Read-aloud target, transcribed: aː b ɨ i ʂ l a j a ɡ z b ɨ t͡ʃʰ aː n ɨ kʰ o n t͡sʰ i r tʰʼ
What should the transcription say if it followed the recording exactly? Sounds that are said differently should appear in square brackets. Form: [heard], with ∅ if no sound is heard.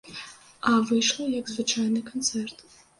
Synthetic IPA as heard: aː [v] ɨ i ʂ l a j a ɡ z [v] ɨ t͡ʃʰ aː n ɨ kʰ o n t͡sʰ [e] r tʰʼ